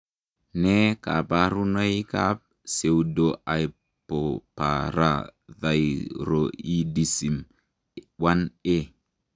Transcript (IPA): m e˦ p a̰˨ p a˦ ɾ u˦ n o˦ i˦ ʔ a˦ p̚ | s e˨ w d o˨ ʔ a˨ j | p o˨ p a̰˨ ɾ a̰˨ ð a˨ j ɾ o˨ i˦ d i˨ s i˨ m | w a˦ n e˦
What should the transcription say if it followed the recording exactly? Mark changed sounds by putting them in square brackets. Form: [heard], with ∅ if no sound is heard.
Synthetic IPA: [n] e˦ [k] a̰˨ p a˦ ɾ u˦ n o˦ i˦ [k] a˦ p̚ | s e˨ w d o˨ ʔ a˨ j | p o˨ p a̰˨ ɾ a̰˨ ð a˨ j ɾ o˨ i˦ d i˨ s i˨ m | w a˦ n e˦